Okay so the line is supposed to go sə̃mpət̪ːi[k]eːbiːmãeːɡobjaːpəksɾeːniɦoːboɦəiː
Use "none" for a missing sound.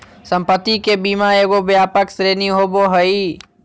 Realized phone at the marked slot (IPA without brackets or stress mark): k